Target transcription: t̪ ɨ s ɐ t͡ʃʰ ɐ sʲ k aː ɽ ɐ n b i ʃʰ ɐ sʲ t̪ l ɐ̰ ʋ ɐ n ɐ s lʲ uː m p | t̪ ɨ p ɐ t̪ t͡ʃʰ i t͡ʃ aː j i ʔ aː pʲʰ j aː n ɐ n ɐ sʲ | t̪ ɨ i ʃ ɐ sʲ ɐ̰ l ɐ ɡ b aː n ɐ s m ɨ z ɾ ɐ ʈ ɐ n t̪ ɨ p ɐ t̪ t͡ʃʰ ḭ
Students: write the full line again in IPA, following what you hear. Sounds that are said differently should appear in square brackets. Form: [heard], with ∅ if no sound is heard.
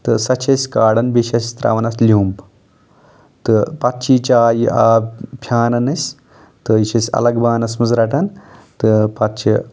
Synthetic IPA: t̪ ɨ s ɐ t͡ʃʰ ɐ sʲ k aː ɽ ɐ n b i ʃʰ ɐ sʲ t̪ [ɾ] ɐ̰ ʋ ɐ n ɐ s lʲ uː m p | t̪ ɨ p ɐ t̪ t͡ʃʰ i t͡ʃ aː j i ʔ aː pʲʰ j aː n ɐ n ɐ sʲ | t̪ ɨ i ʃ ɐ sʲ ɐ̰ l ɐ ɡ b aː n ɐ s m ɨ z ɾ ɐ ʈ ɐ n t̪ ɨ p ɐ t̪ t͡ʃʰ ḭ